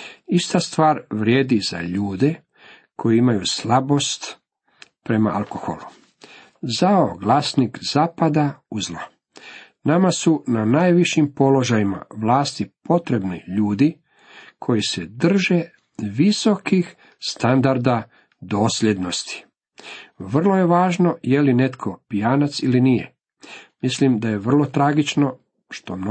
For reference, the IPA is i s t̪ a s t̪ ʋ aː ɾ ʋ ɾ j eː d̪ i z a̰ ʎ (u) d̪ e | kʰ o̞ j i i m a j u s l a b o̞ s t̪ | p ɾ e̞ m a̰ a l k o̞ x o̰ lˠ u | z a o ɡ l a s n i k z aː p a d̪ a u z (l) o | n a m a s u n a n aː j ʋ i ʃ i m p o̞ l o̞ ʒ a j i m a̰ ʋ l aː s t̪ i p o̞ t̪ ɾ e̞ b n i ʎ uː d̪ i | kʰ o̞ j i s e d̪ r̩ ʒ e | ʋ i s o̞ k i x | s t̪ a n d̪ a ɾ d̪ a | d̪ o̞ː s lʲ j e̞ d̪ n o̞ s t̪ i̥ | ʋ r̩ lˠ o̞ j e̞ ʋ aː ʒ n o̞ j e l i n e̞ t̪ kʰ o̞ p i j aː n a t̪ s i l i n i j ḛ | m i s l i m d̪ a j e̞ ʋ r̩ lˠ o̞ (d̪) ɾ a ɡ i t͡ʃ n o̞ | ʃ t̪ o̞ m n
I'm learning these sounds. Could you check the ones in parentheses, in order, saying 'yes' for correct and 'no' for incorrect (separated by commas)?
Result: no, yes, no